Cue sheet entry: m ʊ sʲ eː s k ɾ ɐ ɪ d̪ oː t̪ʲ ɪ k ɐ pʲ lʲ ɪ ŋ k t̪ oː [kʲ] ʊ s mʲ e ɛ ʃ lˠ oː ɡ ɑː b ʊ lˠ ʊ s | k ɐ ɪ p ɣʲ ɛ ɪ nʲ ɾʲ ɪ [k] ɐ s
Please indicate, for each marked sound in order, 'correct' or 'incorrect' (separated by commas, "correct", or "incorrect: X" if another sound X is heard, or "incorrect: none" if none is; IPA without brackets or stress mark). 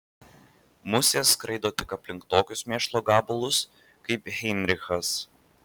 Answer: correct, incorrect: x